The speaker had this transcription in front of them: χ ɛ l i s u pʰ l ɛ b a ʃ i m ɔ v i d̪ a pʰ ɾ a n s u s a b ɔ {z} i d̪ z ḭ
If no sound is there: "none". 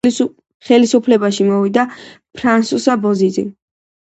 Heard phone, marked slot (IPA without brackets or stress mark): z